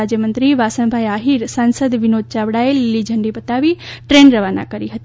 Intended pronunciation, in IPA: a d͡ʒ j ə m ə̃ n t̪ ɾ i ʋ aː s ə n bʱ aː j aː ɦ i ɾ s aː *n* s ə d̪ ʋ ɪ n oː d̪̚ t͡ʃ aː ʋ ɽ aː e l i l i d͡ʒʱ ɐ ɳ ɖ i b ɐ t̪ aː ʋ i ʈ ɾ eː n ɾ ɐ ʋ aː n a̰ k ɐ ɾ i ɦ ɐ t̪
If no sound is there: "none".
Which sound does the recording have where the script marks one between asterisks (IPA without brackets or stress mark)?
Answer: n